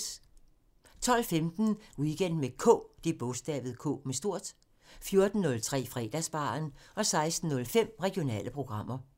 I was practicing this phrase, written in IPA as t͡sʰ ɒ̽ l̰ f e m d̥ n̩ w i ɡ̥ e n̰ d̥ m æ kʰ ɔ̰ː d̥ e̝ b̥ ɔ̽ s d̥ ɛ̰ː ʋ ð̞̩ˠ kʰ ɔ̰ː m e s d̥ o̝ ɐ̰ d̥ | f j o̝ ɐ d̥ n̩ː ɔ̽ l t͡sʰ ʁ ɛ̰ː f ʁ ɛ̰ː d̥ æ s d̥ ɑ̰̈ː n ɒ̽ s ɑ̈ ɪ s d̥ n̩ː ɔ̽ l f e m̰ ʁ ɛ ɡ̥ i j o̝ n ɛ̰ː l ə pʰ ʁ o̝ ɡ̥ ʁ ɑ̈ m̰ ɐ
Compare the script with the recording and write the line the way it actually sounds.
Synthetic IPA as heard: t͡sʰ ɒ̽ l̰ f e m d̥ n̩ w i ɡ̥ e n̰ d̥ m e kʰ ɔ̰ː d̥ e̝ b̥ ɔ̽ s d̥ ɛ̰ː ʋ ð̞̩ˠ kʰ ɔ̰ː m e s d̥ o̝ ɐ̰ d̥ | f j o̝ ɐ d̥ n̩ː ɔ̽ l t͡sʰ ʁ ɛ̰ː f ʁ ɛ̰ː d̥ æ s b̥ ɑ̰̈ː n ɒ̽ s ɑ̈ ɪ s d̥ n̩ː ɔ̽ l f e m̰ ʁ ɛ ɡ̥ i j o̝ n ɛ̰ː l ə pʰ ʁ o̝ ɡ̥ ʁ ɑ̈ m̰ ɐ

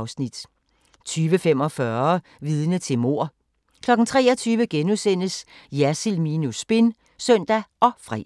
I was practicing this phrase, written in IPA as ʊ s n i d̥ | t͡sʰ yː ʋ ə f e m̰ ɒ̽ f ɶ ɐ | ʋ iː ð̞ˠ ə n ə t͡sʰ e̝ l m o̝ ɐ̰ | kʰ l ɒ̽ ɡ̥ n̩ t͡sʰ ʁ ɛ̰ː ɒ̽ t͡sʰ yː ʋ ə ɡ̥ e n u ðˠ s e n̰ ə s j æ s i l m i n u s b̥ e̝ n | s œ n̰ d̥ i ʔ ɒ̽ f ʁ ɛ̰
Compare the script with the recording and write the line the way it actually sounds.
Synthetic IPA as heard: ʊ s n i d̥ | t͡sʰ yː ʋ ə f e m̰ ɒ̽ f ɶ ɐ | ʋ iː ð̞ˠ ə n ə t͡sʰ e̝ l m o̝ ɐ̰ | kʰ l ɒ̽ ɡ̥ n̩ t͡sʰ ʁ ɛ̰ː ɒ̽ t͡sʰ yː ʋ ə ɡ̥ e n u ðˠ s e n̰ ə s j æ s i l m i n u s b̥ e̝ n | s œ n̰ d̥ æ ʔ ɒ̽ f ʁ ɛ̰

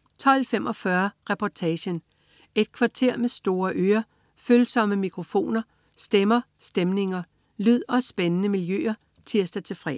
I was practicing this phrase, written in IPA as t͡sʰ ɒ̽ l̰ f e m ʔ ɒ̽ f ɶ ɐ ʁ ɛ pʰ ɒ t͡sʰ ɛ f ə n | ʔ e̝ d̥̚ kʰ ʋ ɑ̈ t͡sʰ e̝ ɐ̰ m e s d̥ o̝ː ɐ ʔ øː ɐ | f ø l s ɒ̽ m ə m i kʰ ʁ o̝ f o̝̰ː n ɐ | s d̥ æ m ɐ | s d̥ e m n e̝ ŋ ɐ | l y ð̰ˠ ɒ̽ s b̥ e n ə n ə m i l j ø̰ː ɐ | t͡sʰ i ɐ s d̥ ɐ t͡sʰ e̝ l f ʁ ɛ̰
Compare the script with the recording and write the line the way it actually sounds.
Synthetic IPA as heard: t͡sʰ ɒ̽ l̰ f e m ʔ ɒ̽ f ɶ ɐ ʁ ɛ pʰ ɒ t͡sʰ ɛ ɕ ə n | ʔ e̝ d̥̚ kʰ ʋ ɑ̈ t͡sʰ e̝ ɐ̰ m e s d̥ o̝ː ɐ ʔ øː ɐ | f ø l s ɒ̽ m ə m i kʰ ʁ o̝ f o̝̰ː n ɐ | s d̥ e m ɐ | s d̥ e m n e̝ ŋ ɐ | l y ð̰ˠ ɒ̽ s b̥ e n ə n ə m i l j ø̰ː ɐ | t͡sʰ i ɐ s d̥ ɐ t͡sʰ e̝ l f ʁ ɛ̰

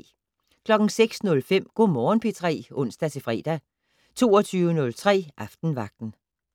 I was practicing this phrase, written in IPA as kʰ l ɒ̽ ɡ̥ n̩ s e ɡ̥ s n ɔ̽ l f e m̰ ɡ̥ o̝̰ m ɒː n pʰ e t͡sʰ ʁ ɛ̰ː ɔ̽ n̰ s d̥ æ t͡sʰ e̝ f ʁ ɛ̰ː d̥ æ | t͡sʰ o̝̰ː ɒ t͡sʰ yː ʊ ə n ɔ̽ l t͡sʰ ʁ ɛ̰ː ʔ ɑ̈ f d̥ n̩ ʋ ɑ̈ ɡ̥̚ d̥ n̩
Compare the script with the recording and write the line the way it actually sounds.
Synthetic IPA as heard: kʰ l ɒ̽ ɡ̥ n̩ s e ɡ̥ s n ɔ̽ l f e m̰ ɡ̥ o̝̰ m ɒː n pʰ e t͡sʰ ʁ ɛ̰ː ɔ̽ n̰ s d̥ æ t͡sʰ e̝ f ʁ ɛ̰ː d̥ æ | t͡sʰ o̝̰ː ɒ t͡sʰ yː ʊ ə n ɔ̽ l t͡sʰ ʁ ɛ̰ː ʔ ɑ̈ f d̥ n̩ ʋ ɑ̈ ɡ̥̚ d̥ n̩

